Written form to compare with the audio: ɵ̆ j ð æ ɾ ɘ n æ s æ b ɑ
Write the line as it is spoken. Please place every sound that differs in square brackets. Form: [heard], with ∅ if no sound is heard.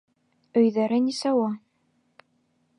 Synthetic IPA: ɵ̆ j ð æ ɾ ɘ n [i] s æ [w] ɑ